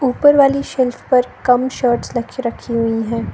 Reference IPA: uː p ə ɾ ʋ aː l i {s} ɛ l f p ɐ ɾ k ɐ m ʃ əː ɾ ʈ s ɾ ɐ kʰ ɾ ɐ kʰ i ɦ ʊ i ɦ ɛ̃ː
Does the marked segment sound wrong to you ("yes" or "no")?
yes